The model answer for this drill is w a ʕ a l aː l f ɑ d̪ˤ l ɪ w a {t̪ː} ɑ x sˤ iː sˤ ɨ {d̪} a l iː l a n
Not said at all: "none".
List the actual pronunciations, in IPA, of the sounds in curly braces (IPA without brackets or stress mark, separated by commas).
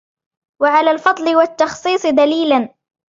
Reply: t̪ː, d̪